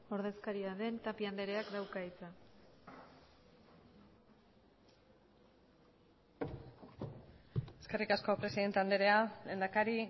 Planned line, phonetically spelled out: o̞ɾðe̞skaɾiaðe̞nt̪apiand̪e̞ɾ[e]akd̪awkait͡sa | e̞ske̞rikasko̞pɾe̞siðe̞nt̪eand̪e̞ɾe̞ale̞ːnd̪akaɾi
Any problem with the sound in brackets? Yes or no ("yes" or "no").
no